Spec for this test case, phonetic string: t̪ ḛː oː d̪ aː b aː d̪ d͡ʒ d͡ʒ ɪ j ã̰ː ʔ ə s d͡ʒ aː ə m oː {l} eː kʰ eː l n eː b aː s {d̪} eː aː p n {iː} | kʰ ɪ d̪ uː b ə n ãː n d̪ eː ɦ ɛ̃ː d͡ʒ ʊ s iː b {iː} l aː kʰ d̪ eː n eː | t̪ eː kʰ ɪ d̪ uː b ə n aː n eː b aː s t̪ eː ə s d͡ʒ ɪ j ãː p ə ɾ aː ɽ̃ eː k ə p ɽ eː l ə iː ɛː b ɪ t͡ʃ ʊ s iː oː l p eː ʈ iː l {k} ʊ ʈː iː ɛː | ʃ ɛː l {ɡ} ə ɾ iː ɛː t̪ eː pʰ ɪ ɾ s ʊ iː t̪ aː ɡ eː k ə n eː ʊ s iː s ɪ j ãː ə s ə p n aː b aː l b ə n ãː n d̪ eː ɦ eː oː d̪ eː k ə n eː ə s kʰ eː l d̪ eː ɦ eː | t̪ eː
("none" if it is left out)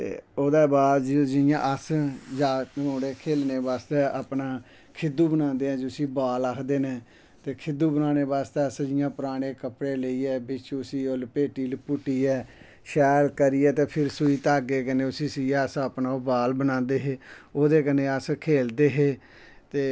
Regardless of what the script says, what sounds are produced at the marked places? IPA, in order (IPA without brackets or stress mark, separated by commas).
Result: ɽ, t̪, aː, aː, p, k